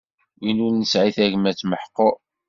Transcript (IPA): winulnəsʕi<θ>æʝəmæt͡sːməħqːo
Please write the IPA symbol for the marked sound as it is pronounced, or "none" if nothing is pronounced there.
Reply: θ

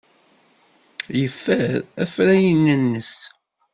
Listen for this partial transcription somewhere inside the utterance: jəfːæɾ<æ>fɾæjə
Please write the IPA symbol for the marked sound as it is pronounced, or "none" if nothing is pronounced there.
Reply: æ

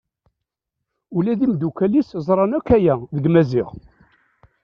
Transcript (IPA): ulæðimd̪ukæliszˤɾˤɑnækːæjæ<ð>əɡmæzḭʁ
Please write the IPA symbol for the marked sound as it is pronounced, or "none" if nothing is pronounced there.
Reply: ð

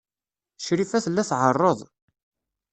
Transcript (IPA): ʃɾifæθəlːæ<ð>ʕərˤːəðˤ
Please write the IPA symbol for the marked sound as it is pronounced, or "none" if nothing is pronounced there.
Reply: θ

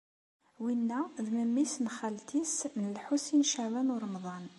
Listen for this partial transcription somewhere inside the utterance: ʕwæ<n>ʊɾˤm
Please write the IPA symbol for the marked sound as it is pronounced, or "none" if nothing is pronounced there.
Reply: n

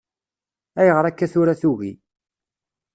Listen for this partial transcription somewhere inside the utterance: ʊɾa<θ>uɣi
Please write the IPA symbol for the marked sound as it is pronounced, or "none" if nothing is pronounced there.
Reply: θ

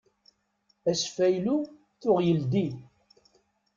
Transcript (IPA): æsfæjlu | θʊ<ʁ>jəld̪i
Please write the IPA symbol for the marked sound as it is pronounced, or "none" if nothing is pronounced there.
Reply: ʁ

